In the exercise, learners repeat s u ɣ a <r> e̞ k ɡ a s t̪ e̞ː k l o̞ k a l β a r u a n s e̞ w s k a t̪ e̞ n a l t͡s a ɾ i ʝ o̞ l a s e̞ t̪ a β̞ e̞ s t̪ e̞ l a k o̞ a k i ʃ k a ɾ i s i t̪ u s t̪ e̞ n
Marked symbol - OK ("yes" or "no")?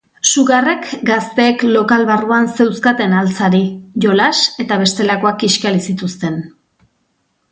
yes